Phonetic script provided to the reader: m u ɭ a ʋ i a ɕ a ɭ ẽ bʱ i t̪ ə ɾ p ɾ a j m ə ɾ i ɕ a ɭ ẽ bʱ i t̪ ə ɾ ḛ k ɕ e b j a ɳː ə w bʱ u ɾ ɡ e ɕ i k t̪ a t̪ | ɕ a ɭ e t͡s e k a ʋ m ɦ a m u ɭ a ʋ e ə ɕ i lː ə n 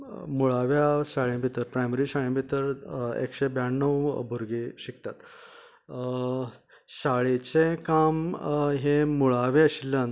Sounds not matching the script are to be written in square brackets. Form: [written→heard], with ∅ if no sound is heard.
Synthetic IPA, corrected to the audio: m u ɭ a ʋ [i→j] a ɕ a ɭ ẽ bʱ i t̪ ə ɾ p ɾ a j m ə ɾ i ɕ a ɭ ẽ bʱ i t̪ ə ɾ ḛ k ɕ e b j a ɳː ə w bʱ u ɾ ɡ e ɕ i k t̪ a t̪ | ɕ a ɭ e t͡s e k a [ʋ→∅] m ɦ [a→e] m u ɭ a ʋ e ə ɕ i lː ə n